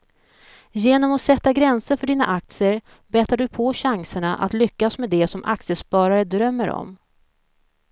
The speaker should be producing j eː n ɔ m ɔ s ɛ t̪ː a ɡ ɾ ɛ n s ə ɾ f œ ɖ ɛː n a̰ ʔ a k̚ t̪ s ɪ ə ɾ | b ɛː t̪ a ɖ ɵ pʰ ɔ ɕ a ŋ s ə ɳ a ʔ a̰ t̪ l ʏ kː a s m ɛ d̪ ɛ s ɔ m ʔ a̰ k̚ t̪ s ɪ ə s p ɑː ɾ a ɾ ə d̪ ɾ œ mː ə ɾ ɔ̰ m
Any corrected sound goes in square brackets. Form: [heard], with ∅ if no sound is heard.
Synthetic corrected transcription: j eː n ɔ m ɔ s ɛ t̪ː a ɡ ɾ ɛ n s ə ɾ f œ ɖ [iː] n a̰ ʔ a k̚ t̪ s ɪ ə ɾ | b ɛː t̪ a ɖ ɵ pʰ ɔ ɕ a ŋ s ə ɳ a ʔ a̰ t̪ l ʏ kː a s m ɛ d̪ ɛ s ɔ m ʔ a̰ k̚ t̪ s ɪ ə s p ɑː ɾ a ɾ ə d̪ ɾ œ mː ə ɾ ɔ̰ m